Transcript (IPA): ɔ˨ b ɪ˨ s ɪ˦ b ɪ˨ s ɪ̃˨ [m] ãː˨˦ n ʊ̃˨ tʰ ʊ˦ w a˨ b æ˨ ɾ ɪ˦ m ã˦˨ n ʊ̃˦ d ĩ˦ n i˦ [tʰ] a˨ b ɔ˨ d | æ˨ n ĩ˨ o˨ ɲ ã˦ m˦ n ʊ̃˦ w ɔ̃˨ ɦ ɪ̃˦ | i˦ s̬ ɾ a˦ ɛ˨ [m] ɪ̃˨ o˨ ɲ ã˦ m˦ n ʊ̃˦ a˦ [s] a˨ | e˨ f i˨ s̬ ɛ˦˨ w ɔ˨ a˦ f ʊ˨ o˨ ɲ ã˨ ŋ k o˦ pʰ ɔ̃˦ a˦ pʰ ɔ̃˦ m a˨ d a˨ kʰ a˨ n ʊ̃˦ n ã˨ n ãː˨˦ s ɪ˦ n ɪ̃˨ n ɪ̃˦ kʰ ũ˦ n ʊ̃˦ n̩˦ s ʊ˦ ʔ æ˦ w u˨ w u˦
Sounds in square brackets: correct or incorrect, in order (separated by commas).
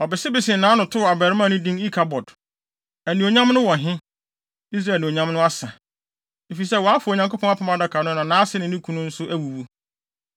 incorrect, incorrect, incorrect, correct